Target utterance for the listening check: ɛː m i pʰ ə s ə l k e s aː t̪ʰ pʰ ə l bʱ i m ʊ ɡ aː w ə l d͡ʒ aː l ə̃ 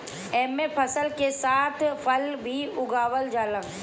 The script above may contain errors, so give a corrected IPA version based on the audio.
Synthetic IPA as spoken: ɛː m e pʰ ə s ə l k e s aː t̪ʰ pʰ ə l bʱ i ʊ ɡ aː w ə l d͡ʒ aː l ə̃